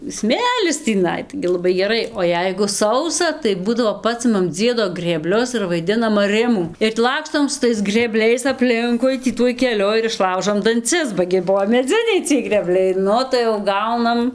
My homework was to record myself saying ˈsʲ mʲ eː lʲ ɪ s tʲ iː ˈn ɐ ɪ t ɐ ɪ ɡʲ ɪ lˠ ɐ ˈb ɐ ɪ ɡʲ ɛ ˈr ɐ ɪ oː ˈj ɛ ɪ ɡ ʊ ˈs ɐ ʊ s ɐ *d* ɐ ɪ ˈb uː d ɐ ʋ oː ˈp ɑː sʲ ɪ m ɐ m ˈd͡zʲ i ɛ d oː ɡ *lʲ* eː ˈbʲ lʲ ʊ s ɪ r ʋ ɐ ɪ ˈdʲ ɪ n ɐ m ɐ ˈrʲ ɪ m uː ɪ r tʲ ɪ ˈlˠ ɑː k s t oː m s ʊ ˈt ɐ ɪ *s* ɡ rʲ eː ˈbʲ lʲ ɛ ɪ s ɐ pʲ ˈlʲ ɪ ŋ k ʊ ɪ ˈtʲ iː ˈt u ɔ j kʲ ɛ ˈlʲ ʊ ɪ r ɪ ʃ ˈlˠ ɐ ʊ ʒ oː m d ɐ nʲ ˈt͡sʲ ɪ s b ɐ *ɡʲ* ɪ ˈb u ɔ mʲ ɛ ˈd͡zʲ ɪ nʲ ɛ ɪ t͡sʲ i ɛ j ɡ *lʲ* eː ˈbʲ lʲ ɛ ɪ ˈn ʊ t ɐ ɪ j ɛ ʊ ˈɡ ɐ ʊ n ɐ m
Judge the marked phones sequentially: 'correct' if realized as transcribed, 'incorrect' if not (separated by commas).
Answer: incorrect, incorrect, correct, correct, incorrect